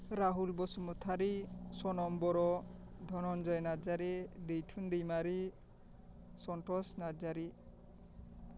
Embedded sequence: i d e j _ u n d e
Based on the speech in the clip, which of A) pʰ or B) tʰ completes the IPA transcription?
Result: B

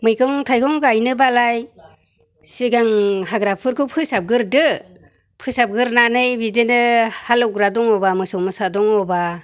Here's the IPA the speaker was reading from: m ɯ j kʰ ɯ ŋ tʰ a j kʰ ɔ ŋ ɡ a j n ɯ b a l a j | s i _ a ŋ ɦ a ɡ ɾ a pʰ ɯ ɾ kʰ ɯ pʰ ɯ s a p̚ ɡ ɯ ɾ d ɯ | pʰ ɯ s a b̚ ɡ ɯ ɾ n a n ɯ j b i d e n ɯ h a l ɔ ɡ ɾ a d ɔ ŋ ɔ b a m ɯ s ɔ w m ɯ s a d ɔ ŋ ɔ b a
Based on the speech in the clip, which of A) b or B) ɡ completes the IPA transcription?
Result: B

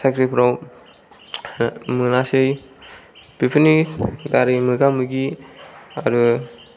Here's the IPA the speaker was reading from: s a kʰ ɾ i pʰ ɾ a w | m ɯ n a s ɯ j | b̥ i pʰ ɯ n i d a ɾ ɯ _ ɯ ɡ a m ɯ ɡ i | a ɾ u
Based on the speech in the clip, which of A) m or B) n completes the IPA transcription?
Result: A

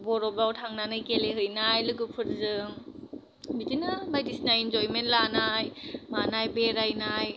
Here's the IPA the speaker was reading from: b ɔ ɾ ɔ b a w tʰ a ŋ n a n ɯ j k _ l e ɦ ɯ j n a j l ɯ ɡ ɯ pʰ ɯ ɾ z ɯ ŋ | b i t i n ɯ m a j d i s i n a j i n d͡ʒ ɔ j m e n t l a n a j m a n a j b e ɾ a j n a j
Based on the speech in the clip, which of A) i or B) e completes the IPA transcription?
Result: B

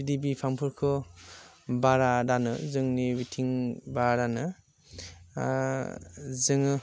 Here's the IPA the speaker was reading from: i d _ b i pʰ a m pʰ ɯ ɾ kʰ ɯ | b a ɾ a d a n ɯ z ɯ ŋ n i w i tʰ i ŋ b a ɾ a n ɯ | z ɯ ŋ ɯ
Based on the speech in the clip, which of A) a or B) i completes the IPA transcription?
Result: B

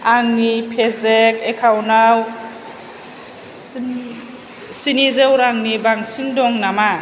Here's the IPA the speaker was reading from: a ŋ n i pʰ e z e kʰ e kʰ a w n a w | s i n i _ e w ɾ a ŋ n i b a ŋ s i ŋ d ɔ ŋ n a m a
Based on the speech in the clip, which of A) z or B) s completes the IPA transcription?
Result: A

